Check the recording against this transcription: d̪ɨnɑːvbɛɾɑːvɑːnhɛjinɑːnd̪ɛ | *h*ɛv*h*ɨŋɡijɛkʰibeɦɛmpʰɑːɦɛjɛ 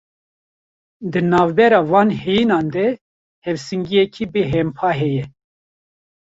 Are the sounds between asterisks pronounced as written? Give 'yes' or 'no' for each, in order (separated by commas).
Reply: yes, no